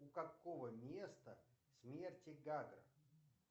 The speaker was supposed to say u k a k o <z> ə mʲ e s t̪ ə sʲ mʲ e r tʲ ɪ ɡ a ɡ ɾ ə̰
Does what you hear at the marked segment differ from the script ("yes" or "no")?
yes